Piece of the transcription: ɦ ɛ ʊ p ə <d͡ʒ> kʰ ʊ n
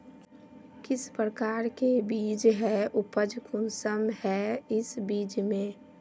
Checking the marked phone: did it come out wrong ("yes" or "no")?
no